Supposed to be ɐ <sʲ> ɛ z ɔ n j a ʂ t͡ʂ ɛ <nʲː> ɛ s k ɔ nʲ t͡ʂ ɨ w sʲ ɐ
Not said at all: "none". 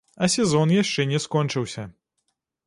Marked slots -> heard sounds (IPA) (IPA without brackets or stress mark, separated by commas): sʲ, nʲ